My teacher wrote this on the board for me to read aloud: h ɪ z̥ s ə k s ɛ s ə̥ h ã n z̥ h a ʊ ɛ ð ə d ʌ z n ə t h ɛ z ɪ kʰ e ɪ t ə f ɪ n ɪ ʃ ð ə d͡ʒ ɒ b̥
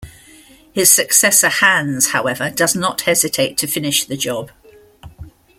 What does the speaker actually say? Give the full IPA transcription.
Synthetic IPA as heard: h ɪ z̥ s ə k s ɛ s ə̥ h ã n z̥ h a ʊ ɛ v ə d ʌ z n ə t h ɛ z ɪ tʰ e ɪ tʰ ə f ɪ n ɪ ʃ ð ə d͡ʒ ɒ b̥